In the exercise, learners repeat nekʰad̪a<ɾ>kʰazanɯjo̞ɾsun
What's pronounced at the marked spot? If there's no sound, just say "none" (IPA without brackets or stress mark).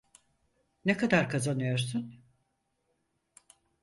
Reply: ɾ